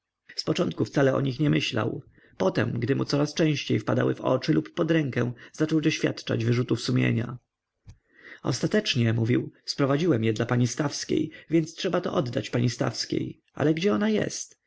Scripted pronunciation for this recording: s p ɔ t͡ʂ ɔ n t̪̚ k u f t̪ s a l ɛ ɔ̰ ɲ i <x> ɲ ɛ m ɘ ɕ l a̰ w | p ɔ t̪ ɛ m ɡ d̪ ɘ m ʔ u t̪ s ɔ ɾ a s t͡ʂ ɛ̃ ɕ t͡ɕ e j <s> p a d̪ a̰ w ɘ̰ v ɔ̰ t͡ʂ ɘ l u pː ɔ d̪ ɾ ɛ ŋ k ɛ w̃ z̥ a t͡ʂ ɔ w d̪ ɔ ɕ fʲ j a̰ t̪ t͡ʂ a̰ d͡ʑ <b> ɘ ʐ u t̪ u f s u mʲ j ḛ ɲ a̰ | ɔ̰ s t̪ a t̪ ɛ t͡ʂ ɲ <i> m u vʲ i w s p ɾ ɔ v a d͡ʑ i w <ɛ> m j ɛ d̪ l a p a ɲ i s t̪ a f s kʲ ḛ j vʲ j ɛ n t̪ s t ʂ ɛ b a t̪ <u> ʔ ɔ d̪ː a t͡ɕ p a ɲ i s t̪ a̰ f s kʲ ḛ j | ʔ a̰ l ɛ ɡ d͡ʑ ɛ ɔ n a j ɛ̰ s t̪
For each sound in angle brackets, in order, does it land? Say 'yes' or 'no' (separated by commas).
yes, no, no, no, yes, no